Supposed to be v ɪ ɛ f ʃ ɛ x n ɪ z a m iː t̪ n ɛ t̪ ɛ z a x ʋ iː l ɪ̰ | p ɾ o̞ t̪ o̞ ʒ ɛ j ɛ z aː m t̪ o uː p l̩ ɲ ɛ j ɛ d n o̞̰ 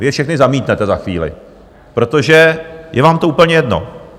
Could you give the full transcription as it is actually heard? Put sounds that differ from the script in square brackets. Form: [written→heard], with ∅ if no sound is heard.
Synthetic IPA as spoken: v ɪ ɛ f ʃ ɛ x n ɪ z a m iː t̪ n ɛ t̪ ɛ z a x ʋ iː l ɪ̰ | p ɾ o̞ t̪ o̞ ʒ ɛ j ɛ [z→v] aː m t̪ o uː p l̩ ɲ ɛ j ɛ d n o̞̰